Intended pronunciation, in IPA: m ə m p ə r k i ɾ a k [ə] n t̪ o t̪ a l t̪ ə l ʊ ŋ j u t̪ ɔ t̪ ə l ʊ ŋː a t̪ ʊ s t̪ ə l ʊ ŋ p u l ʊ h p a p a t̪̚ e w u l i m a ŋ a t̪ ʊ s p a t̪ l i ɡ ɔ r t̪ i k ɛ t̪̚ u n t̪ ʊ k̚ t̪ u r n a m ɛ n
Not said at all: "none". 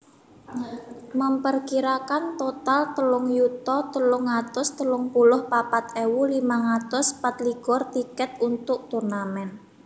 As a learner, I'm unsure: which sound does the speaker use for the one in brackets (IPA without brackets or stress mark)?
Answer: a